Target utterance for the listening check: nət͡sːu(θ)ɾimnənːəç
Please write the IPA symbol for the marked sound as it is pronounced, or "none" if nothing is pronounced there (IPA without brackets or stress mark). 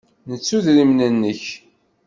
ð